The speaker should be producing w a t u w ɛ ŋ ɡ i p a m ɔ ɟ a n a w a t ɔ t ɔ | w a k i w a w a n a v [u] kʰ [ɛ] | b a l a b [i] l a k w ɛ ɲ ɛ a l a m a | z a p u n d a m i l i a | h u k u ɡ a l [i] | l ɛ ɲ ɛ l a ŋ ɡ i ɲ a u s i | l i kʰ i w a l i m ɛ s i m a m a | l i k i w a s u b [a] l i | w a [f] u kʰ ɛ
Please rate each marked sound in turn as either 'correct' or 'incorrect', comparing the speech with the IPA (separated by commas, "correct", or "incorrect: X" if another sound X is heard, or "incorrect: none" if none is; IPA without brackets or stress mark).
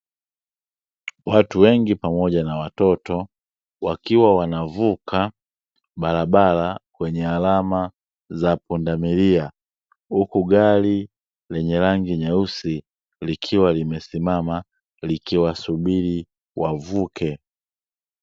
correct, incorrect: a, incorrect: a, correct, incorrect: i, incorrect: v